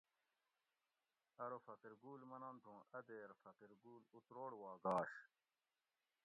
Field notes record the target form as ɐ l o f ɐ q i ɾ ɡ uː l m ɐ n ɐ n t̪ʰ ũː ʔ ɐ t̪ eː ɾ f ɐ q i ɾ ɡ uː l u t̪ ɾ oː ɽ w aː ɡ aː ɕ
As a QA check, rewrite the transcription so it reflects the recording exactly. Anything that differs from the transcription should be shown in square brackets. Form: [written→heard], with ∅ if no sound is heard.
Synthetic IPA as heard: ɐ [l→ɾ] o f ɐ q i ɾ ɡ uː l m ɐ n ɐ n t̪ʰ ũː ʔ ɐ [t̪→d̪] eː ɾ f ɐ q i ɾ ɡ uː l u t̪ ɾ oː ɽ w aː ɡ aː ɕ